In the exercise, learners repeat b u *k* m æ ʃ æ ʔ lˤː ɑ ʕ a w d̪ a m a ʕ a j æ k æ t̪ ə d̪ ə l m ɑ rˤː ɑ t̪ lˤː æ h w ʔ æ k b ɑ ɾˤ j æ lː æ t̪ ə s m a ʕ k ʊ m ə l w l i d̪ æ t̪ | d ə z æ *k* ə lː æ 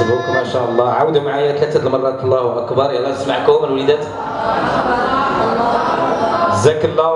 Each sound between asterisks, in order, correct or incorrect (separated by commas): correct, correct